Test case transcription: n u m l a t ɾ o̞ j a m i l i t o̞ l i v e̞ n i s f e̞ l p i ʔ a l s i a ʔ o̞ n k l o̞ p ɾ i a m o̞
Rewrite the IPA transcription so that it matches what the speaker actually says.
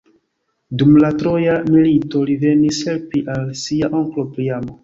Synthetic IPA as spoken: d u m l a t ɾ o̞ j a m i l i t o̞ l i v e̞ n i s h e̞ l p i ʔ a l s i a ʔ o̞ ŋ k l o̞ p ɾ i a m o̞

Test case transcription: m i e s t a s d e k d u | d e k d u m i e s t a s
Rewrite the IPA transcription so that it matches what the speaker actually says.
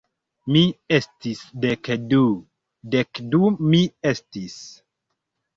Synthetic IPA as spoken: m i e s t i s d e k d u | d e k d u m i e s t i s

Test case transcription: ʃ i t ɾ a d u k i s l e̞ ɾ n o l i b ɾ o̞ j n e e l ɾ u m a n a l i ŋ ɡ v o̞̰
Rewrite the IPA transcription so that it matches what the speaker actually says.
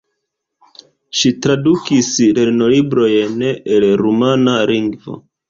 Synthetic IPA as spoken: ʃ i t ɾ a d u k i s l e̞ ɾ n o l i b ɾ o̞ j n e e l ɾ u m a n a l i ŋ ɡ v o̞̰

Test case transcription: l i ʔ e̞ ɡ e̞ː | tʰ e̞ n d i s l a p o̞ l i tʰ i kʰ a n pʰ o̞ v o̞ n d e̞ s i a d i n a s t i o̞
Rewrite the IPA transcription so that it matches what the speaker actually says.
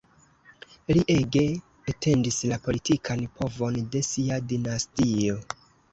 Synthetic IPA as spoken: l i ʔ e̞ ɡ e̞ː | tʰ e̞ n d i s l a p o̞ l i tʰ i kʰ a n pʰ o̞ v o̞ n d e̞ s i a d i n a s t i o̞

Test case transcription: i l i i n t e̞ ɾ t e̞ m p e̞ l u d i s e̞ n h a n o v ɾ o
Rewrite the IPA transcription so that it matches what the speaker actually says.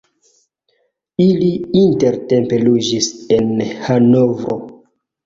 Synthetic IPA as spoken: i l i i n t e̞ ɾ t e̞ m p e̞ l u d͡ʒ i s e̞ n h a n o v ɾ o

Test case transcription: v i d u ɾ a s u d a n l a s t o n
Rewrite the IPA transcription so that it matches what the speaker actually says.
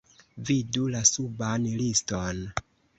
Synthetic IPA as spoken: v i d u l a s u b a n l i s t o n

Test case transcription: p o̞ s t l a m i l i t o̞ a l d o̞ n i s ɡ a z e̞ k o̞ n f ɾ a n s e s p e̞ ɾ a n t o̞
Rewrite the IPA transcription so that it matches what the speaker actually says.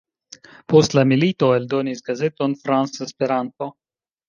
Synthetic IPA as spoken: p o̞ s t l a m i l i t o̞ e l d o̞ n i s ɡ a z e̞ t o̞ n f ɾ a n s e s p e̞ ɾ a n t o̞

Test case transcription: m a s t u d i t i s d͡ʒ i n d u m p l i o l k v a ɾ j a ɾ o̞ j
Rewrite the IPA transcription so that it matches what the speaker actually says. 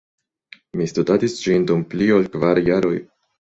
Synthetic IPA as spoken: m i s t u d a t i s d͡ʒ i n d u m p l i o l k v a ɾ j a ɾ o̞ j

